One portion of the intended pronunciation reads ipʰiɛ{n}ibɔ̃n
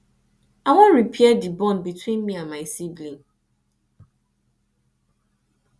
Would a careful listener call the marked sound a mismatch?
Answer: yes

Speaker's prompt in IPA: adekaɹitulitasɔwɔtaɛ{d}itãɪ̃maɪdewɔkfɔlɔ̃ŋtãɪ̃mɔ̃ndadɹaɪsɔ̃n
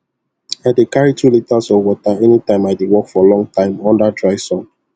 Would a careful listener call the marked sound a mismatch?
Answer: yes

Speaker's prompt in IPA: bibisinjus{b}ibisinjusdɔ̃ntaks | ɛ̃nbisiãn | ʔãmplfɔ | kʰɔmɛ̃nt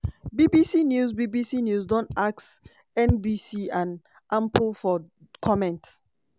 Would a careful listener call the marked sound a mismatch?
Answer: no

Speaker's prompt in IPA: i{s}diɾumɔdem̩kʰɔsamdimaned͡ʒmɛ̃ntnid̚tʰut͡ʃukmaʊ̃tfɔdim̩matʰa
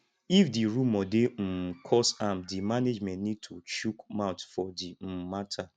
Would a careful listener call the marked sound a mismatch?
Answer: yes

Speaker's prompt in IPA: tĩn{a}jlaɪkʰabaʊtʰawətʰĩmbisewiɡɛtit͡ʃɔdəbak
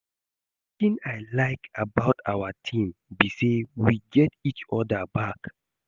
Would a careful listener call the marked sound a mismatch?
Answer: no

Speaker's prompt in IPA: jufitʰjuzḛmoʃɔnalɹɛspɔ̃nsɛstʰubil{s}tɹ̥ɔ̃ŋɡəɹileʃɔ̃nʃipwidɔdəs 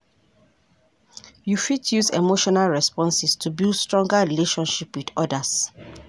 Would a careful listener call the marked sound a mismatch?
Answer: no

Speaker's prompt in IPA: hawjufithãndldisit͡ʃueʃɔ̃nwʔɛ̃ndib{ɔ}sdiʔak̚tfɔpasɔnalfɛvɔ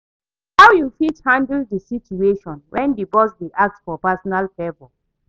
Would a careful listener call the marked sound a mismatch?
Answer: no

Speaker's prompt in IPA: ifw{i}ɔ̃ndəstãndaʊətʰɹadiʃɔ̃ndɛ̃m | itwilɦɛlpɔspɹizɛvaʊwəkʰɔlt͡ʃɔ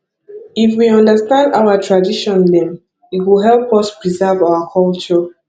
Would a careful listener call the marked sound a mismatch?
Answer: no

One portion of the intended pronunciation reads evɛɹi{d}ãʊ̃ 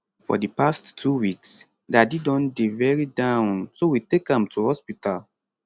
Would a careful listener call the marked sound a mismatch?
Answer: no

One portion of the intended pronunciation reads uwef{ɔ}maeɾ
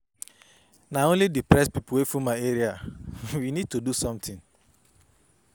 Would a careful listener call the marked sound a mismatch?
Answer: yes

